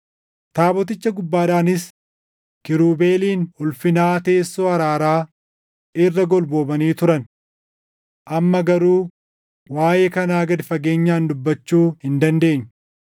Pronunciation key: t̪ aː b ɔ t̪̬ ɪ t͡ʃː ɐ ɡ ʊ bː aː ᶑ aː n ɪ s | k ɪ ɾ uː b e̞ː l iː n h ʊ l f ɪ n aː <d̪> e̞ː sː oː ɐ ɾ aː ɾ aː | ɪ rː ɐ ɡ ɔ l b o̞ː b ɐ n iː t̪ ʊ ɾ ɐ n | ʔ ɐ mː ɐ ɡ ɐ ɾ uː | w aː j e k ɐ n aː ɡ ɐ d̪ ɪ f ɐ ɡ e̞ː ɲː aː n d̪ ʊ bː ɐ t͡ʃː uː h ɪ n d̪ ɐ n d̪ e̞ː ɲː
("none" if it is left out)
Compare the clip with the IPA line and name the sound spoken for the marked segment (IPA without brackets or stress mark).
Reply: t̪